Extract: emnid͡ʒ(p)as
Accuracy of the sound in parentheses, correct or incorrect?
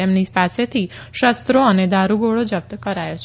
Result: correct